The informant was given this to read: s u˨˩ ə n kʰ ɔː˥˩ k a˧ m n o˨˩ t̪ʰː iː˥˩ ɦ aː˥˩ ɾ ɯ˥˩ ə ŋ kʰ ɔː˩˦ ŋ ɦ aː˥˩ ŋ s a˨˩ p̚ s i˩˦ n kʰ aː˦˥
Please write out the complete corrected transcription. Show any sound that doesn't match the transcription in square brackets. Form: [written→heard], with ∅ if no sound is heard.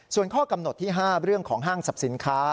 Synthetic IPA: s u˨˩ ə n kʰ ɔː˥˩ k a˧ m n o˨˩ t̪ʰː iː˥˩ ɦ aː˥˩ ɾ ɯ˥˩ ə ŋ kʰ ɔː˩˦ ŋ ɦ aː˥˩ ŋ s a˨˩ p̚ s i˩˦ n kʰ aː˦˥